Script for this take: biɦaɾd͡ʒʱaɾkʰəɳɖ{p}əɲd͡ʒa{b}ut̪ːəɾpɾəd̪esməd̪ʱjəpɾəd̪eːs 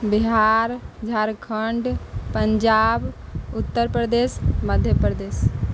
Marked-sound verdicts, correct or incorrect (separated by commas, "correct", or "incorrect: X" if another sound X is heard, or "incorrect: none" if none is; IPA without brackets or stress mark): correct, correct